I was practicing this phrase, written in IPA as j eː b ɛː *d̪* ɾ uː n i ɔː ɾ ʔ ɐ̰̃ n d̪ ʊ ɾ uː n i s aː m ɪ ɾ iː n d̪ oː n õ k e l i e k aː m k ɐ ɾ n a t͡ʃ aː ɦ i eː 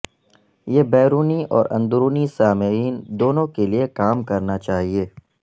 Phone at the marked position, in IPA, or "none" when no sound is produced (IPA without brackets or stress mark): none